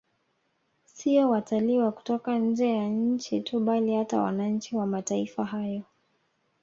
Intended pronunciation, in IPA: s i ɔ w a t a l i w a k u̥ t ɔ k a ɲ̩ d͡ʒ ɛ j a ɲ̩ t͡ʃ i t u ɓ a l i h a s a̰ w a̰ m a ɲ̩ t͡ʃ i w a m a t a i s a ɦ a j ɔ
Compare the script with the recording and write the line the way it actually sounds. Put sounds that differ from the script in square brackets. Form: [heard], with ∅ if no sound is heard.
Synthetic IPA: s i ɔ w a t a l i w a k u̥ t ɔ k a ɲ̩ d͡ʒ ɛ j a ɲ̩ t͡ʃ i t u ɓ a l i h a [t] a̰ w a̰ [n] a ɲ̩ t͡ʃ i w a m a t a i [f] a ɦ a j ɔ